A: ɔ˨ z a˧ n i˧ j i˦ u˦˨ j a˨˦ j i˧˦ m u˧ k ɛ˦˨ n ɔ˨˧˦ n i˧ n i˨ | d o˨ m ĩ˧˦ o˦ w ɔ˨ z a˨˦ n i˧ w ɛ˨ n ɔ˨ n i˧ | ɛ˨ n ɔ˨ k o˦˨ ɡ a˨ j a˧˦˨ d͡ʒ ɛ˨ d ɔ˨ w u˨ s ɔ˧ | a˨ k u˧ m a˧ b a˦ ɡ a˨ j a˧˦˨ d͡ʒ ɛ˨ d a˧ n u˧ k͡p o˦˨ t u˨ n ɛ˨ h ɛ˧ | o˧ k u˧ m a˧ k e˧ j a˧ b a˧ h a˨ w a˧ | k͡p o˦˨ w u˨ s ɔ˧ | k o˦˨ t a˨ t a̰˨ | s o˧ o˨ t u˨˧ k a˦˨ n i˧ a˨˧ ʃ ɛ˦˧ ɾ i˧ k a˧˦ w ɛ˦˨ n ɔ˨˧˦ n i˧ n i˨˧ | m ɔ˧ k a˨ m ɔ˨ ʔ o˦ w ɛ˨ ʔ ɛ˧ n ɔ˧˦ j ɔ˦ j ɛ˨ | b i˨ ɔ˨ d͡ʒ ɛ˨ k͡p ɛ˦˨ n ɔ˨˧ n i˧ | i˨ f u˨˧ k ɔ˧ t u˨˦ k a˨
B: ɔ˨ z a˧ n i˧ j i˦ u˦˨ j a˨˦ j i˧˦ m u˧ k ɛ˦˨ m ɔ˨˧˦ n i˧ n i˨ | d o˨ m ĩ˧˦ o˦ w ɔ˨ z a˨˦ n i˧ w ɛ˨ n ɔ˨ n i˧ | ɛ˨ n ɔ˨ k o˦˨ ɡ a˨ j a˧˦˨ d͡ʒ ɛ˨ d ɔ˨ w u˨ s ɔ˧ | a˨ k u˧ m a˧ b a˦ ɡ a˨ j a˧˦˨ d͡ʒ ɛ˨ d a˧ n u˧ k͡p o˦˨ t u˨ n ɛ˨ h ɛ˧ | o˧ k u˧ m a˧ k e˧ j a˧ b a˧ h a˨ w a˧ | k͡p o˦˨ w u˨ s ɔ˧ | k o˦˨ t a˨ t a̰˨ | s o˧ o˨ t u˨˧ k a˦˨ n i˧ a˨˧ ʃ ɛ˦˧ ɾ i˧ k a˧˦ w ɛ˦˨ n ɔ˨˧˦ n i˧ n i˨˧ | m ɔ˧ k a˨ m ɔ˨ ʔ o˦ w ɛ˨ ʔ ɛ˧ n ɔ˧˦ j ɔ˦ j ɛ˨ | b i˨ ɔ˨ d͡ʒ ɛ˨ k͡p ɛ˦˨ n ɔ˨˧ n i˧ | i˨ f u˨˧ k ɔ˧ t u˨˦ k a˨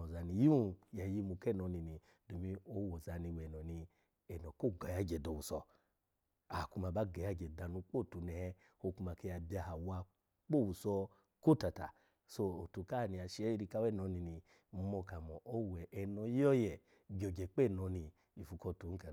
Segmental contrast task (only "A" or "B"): A